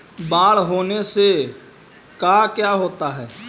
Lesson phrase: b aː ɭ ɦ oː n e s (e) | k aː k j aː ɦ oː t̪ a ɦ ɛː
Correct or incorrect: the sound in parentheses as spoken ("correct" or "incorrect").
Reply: correct